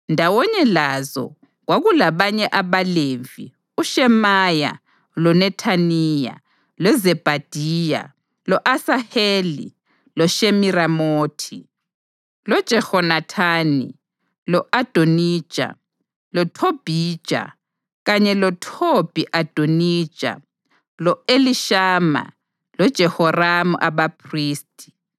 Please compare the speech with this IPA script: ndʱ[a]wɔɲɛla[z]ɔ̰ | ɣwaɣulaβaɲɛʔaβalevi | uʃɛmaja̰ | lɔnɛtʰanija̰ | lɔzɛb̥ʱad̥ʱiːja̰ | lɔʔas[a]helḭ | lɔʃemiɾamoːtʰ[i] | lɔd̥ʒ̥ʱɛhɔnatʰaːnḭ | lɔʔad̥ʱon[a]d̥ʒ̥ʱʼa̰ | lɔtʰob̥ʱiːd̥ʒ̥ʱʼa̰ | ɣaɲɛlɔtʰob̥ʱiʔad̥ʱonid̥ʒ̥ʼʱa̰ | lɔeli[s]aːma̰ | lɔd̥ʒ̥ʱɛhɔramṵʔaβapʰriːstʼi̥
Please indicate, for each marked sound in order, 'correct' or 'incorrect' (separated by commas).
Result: correct, correct, correct, correct, incorrect, incorrect